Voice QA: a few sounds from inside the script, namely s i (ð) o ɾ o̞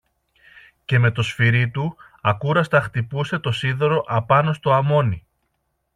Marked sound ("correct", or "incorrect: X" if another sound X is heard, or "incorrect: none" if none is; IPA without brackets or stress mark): correct